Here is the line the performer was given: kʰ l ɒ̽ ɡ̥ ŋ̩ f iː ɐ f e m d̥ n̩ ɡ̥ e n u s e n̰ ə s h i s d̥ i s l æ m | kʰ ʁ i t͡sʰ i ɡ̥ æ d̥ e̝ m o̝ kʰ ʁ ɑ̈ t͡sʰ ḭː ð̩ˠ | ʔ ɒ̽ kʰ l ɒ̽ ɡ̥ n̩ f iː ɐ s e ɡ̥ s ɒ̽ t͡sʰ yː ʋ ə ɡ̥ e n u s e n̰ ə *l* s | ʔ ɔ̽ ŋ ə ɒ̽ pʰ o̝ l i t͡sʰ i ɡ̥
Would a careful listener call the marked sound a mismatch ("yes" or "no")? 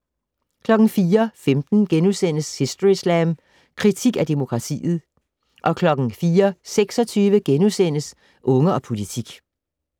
yes